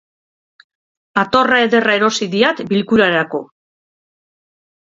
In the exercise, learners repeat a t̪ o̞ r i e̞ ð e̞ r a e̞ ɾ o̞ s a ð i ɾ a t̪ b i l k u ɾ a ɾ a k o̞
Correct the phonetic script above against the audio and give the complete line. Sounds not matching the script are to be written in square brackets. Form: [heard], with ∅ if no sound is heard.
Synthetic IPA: a t̪ o̞ r [a] e̞ ð e̞ r a e̞ ɾ o̞ s [i] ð i [∅] a t̪ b i l k u ɾ a ɾ a k o̞